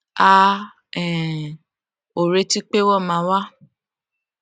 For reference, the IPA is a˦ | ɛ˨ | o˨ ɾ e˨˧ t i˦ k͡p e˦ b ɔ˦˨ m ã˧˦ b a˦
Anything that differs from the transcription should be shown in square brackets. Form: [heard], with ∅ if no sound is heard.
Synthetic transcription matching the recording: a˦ | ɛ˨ | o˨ ɾ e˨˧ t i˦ k͡p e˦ [w] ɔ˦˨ m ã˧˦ [w] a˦